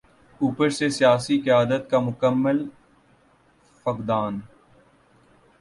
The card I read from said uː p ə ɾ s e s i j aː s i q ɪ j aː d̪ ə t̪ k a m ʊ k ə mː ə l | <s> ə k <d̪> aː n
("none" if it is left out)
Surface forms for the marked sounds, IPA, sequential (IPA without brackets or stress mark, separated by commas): f, d̪